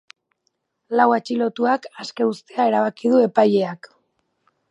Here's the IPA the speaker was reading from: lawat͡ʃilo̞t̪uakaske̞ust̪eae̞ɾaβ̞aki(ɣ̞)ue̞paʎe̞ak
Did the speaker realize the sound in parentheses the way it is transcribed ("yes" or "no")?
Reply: no